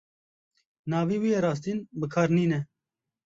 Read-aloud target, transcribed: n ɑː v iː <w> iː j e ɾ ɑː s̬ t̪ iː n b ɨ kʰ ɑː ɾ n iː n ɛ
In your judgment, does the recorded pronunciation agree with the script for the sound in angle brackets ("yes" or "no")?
yes